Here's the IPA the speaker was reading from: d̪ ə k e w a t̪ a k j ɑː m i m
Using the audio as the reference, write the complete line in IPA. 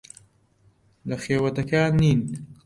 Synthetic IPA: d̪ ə x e w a t̪ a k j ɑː n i n